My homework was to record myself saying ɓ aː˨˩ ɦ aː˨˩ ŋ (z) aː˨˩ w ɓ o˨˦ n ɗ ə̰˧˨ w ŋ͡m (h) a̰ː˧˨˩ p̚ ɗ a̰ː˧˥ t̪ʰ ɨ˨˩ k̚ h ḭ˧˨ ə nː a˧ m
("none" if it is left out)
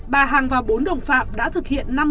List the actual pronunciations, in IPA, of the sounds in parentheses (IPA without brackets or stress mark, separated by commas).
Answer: v, f